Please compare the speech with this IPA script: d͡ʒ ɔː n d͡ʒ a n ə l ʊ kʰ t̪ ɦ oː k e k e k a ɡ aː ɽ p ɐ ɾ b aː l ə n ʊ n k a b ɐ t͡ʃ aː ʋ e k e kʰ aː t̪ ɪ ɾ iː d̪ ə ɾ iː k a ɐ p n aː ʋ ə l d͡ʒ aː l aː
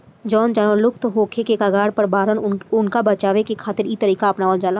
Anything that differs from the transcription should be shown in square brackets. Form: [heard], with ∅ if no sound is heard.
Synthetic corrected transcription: d͡ʒ ɔː n d͡ʒ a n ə l ʊ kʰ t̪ ɦ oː [kʰ] e k e k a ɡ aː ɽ p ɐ ɾ b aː [ɾ] ə n ʊ n k a b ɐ t͡ʃ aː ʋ e k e kʰ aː t̪ ɪ ɾ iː [t̪] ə ɾ iː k a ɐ p n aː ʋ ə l d͡ʒ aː l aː